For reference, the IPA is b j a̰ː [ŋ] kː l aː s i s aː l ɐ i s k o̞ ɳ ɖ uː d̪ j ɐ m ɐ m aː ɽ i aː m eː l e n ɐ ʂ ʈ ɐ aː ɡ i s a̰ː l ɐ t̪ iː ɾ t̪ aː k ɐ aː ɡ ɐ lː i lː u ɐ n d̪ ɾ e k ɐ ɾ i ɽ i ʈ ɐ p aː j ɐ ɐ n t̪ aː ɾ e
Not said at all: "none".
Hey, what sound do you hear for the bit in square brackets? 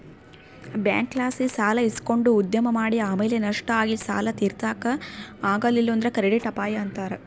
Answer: ŋ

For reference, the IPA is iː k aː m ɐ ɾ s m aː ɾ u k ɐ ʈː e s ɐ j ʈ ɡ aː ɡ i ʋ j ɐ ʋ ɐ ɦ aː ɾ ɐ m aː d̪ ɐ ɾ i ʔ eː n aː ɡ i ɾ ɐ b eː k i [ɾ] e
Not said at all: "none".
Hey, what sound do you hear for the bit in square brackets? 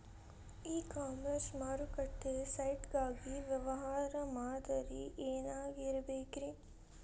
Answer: ɾ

